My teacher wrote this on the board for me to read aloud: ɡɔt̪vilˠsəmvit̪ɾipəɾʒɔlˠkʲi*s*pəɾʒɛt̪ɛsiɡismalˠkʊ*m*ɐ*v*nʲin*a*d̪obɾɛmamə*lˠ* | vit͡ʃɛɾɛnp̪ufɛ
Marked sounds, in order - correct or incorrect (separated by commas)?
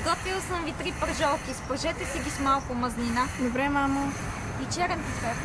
correct, correct, incorrect, correct, incorrect